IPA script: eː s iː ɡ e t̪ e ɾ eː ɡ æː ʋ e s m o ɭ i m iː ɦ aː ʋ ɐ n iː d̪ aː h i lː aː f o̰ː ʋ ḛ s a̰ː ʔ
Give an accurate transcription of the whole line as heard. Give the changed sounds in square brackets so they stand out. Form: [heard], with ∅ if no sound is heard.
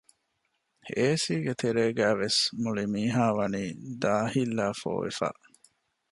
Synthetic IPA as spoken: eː s iː ɡ e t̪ e ɾ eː ɡ æː ʋ e s m [u] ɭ i m iː ɦ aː ʋ ɐ n iː d̪ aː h i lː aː f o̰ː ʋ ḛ [f] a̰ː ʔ

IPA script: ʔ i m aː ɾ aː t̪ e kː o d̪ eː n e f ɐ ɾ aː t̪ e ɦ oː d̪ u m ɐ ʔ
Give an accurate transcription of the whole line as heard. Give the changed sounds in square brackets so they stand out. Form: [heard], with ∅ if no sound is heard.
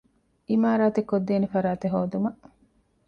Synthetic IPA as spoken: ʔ i m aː ɾ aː t̪ e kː o [d̪ː] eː n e f ɐ ɾ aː t̪ e ɦ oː d̪ u m ɐ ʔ

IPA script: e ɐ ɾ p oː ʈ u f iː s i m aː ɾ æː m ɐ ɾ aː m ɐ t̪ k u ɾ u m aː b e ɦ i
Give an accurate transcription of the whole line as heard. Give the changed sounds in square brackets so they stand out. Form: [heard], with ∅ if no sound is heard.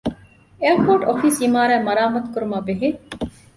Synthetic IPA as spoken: e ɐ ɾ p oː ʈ [o] f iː s i m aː ɾ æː m ɐ ɾ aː m ɐ t̪ k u ɾ u m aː b e ɦ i

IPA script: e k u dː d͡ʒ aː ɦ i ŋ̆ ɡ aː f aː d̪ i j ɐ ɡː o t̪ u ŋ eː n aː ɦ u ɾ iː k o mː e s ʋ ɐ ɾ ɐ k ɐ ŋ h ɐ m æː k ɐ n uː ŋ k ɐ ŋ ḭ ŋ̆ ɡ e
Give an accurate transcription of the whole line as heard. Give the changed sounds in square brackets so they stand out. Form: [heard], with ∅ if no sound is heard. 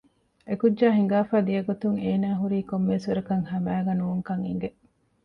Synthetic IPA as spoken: e k u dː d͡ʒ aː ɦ i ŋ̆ ɡ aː f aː d̪ i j ɐ [ɡ] o t̪ u ŋ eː n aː ɦ u ɾ iː k o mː e s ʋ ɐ ɾ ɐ k ɐ ŋ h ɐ m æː [ɡ] ɐ n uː ŋ k ɐ ŋ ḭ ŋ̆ ɡ e

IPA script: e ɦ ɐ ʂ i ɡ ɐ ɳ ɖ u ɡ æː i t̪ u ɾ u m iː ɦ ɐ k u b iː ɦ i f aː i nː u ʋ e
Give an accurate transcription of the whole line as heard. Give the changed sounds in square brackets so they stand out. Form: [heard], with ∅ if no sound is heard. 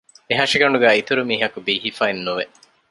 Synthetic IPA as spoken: e ɦ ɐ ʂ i ɡ ɐ ɳ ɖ u ɡ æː i t̪ u ɾ u m iː ɦ ɐ k u b iː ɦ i f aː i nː u ʋ e

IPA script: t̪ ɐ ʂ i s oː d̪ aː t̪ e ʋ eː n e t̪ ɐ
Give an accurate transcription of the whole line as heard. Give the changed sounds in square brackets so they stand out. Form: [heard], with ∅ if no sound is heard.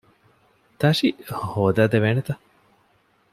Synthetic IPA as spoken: t̪ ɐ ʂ i [h] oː d̪ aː [d̪] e ʋ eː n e t̪ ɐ

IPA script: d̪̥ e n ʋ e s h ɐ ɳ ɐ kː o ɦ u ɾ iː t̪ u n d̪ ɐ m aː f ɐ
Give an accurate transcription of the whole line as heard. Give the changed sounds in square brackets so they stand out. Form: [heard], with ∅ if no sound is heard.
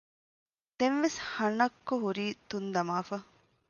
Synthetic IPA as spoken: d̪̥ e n ʋ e s h ɐ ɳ ɐ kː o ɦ u ɾ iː t̪ u n d̪ ɐ m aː f ɐ

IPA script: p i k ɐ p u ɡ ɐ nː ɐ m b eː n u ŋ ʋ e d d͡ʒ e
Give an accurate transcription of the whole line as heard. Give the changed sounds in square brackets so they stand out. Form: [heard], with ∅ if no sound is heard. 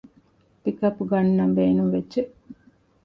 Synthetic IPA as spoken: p i k ɐ p u ɡ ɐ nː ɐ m b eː n u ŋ ʋ e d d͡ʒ e

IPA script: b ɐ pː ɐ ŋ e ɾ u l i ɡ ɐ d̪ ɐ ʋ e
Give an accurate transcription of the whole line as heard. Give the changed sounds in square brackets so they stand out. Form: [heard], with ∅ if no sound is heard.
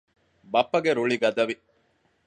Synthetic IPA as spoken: b ɐ pː ɐ [ɡ] e ɾ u [ɭ] i ɡ ɐ d̪ ɐ ʋ [i]

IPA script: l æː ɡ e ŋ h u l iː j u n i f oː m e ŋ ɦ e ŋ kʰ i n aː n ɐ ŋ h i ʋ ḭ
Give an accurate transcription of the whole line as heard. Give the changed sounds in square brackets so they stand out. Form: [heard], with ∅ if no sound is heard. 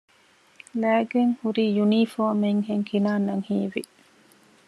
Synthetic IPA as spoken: l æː ɡ e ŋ h u [ɾ] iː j u n i f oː m e ŋ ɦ e ŋ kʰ i n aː n ɐ ŋ h [iː] ʋ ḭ

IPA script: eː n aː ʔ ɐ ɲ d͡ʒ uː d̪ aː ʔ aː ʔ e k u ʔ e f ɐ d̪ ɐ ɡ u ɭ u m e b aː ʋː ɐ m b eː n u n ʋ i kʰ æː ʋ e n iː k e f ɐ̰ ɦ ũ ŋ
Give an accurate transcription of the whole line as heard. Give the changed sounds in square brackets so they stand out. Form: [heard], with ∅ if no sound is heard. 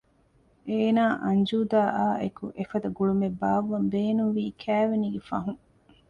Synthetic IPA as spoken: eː n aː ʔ ɐ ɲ d͡ʒ uː d̪ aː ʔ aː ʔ e k u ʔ e f ɐ d̪ ɐ ɡ u ɭ u m e b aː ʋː ɐ m b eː n u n ʋ [iː] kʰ æː ʋ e n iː [ɡ] e f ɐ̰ ɦ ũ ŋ

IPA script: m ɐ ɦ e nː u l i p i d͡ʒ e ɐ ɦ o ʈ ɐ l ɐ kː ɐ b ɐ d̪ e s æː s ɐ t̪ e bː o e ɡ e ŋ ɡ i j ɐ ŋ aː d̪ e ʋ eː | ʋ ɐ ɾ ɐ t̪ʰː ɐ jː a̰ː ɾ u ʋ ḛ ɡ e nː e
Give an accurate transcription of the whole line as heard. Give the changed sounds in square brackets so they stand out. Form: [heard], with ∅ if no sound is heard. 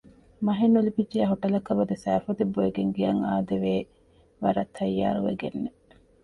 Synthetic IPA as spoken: m ɐ ɦ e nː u l i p i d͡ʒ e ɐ ɦ o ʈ ɐ l ɐ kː ɐ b ɐ d̪ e s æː [f] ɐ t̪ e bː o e ɡ e ŋ ɡ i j ɐ ŋ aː d̪ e ʋ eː | ʋ ɐ ɾ ɐ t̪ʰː ɐ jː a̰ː ɾ u ʋ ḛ ɡ e nː e

